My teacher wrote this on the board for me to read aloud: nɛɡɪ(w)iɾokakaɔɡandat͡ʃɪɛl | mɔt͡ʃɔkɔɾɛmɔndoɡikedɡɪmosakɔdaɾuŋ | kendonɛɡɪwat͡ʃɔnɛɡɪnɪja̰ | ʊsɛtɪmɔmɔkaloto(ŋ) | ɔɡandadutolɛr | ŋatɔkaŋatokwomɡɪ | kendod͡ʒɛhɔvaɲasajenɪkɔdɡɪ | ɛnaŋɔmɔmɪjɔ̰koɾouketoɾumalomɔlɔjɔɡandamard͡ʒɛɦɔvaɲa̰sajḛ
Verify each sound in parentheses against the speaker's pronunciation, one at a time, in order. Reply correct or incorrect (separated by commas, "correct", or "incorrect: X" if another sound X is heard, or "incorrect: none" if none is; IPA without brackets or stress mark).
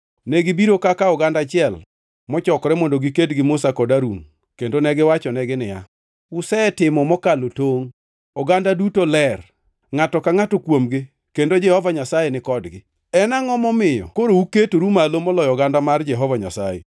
incorrect: b, correct